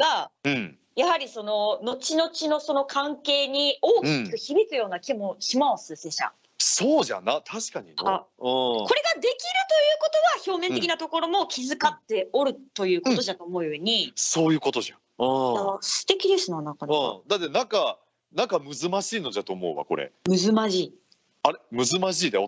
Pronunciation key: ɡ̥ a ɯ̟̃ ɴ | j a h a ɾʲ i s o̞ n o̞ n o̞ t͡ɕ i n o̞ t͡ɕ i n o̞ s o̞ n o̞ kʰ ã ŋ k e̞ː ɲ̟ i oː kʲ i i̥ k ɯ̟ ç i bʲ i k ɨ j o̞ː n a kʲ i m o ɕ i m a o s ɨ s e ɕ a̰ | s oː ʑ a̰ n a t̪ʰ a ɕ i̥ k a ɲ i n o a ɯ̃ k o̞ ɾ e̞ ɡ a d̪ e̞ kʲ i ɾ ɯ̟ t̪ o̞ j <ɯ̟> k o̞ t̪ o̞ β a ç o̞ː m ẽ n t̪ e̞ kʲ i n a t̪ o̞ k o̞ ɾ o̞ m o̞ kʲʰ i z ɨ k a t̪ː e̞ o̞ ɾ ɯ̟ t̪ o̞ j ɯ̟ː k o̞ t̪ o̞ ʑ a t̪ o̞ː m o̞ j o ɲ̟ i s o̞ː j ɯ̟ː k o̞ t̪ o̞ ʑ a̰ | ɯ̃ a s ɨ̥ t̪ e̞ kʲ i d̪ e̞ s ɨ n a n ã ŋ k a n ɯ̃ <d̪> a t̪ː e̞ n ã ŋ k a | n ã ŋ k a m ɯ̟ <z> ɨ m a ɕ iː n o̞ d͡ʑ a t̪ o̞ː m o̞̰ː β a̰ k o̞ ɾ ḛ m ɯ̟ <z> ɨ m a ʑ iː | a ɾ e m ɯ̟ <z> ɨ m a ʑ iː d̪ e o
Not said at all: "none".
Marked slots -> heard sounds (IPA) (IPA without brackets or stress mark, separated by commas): ɯ̟ː, d̪, z, z, z